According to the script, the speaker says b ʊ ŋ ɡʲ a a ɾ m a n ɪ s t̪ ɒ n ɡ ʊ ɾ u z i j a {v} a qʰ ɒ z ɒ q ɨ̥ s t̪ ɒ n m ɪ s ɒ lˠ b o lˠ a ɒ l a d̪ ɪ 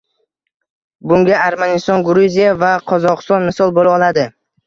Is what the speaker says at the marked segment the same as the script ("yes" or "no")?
yes